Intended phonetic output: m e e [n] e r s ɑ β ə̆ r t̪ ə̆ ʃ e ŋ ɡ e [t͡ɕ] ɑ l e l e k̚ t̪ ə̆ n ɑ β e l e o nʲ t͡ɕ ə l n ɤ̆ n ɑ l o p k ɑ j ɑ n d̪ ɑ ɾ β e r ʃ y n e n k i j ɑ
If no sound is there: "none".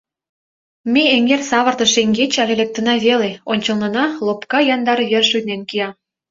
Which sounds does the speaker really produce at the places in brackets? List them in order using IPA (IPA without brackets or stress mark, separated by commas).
ŋ, t͡ɕ